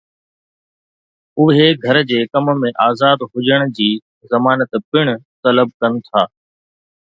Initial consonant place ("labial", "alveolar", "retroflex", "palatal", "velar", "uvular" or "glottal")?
glottal